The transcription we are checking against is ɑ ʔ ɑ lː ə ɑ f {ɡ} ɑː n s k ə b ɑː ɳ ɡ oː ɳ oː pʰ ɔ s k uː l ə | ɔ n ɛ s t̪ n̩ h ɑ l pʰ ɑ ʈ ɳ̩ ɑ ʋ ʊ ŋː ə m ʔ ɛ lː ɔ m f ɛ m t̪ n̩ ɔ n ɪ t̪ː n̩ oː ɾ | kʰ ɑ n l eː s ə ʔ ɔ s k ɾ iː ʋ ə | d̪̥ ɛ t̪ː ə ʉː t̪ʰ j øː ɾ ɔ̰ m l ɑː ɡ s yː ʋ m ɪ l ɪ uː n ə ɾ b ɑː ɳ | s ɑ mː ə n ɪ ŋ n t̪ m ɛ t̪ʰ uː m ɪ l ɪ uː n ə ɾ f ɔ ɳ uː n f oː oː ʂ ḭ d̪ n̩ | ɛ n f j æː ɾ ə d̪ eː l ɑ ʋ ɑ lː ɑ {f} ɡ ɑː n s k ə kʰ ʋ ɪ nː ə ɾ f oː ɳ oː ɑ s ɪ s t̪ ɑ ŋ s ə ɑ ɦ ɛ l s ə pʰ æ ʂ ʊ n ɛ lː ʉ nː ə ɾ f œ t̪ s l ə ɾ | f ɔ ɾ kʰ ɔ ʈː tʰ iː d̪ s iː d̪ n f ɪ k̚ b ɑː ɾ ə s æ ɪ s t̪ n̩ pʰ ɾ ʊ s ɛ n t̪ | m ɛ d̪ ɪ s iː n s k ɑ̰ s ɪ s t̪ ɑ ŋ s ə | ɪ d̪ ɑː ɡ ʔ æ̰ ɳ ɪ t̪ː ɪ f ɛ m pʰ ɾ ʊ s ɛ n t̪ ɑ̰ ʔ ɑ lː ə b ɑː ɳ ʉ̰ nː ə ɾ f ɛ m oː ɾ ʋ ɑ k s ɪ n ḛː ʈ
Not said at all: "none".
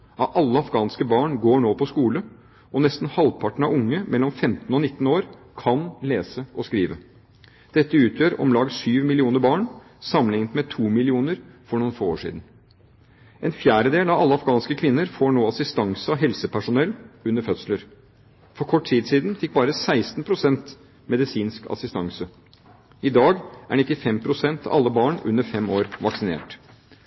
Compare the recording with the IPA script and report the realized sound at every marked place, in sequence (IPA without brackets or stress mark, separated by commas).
ɡ, f